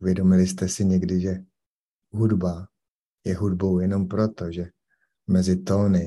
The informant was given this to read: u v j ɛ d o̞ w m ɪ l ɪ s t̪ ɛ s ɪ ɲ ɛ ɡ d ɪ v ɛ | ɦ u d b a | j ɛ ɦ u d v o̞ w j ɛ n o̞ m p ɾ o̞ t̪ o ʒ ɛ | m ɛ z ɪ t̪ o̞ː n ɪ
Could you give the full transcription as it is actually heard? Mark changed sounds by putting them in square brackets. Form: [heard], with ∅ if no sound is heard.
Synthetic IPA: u v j ɛ d o̞ [∅] m ɪ l ɪ s t̪ ɛ s ɪ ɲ ɛ ɡ d ɪ [ʒ] ɛ | ɦ u d b a | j ɛ ɦ u d [b] o̞ w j ɛ n o̞ m p ɾ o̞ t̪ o ʒ ɛ | m ɛ z ɪ t̪ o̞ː n ɪ